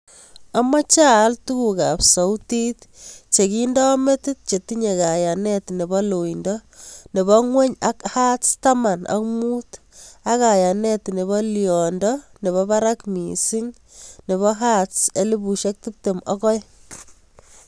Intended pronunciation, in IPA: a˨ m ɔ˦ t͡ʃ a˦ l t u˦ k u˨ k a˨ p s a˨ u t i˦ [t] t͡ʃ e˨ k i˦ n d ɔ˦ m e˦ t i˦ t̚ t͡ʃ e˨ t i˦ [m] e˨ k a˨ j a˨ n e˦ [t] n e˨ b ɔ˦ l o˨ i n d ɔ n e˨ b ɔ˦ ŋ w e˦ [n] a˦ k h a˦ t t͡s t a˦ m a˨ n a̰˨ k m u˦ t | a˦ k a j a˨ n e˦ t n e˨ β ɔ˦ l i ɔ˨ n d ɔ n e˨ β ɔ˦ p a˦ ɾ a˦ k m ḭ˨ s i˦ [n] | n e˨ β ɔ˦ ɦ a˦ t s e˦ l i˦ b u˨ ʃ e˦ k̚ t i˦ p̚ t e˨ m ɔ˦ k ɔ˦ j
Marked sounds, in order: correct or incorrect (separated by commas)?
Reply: correct, incorrect, correct, incorrect, incorrect